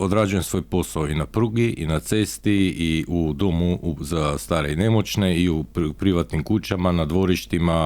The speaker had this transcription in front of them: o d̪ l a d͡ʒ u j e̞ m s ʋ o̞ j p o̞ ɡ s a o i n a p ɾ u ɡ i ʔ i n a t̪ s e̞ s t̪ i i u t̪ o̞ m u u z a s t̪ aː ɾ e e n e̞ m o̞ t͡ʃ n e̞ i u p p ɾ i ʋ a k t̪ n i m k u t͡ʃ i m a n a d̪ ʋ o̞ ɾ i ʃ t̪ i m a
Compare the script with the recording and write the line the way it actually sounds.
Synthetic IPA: o d̪ ɾ a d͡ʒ u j e̞ m s ʋ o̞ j p o̞ s a o i n a p ɾ u ɡ i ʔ i n a t̪ s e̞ s t̪ i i u d̪ o̞ m u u z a s t̪ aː ɾ e i n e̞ m o̞ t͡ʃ n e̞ i u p p ɾ i ʋ a t̪ n i m k u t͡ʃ a m a n a d̪ ʋ o̞ ɾ i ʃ t̪ i m a